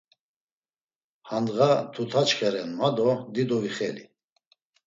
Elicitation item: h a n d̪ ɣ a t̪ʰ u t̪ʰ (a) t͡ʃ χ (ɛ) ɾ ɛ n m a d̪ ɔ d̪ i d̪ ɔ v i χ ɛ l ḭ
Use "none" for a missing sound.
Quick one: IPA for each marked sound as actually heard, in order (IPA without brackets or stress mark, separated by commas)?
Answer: a, ɛ